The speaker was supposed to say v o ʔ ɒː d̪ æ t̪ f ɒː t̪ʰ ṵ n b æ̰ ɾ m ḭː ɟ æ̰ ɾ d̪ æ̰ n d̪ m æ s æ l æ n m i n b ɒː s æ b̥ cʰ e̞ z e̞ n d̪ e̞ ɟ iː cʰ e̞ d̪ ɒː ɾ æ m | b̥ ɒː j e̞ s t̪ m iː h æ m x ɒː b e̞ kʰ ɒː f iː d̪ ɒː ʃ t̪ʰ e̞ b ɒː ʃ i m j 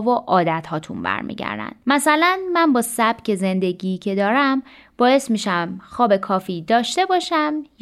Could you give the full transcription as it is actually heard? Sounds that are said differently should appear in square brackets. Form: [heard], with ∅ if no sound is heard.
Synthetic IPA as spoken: v o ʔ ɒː d̪ æ t̪ [h] ɒː t̪ʰ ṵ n b æ̰ ɾ m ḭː ɟ æ̰ ɾ d̪ æ̰ n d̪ m æ s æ l æ n m [æ] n b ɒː s æ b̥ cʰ e̞ z e̞ n d̪ e̞ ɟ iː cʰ e̞ d̪ ɒː ɾ æ m | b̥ ɒː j e̞ s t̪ m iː [ʃ] æ m x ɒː b e̞ kʰ ɒː f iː d̪ ɒː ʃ [t̪] e̞ b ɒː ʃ [æ] m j